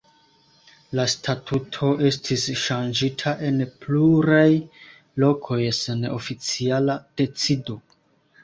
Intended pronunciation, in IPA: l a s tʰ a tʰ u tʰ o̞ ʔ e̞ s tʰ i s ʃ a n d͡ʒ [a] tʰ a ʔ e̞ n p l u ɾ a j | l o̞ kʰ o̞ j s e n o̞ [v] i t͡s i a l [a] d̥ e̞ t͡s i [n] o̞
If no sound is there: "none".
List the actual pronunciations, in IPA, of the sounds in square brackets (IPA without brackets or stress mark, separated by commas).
i, f, a, d